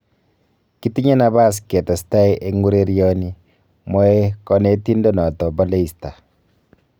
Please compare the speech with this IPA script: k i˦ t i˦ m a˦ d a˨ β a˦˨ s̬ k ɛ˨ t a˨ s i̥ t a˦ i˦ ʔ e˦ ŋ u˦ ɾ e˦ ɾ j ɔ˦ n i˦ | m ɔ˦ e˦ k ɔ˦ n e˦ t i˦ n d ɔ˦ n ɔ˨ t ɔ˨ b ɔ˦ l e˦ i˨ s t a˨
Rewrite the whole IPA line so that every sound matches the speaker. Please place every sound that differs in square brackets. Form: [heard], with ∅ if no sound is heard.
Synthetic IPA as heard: k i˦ t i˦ [ɲ] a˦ [n] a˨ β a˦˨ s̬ k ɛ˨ t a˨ s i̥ t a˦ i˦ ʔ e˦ ŋ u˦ ɾ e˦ ɾ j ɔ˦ n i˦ | m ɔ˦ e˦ k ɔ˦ n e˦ t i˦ n d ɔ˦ n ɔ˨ t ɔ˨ b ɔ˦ l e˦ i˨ s t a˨

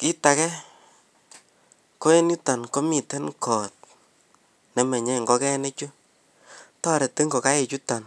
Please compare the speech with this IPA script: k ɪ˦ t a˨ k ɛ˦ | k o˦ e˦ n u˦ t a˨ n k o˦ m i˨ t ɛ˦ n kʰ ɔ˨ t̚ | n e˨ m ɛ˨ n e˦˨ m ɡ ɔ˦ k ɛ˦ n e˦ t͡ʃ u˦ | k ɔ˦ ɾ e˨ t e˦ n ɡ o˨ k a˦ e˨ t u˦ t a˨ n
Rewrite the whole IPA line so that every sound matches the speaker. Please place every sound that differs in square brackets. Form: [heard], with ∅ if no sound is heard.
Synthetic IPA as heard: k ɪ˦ t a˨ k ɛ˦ | k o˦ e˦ n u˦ t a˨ n k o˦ m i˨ t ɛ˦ n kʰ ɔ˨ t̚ | n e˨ m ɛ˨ [ɲ] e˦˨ [ŋ] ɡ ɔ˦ k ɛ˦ n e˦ t͡ʃ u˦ | [t] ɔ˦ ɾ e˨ t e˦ [ŋ] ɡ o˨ k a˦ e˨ [t͡ʃ] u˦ t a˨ n

